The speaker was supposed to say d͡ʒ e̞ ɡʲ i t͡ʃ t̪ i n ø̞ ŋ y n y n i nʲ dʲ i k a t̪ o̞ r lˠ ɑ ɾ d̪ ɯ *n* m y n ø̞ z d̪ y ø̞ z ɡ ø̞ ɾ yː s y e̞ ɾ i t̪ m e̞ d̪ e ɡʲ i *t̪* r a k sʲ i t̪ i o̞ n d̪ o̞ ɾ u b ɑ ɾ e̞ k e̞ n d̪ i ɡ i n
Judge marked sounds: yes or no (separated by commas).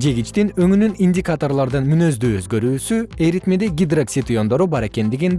yes, no